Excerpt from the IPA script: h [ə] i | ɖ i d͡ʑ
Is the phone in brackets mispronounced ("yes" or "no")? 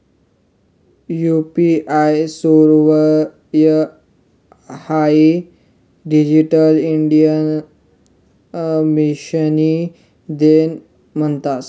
yes